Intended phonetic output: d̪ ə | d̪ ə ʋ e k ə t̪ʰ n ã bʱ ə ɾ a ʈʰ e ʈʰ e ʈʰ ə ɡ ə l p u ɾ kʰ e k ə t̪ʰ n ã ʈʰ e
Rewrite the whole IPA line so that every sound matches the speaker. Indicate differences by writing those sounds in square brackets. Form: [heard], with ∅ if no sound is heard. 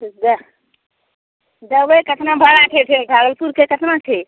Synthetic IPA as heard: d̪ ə | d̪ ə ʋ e k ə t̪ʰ n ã bʱ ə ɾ a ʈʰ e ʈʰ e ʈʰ [a] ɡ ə l p u ɾ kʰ e k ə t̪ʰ n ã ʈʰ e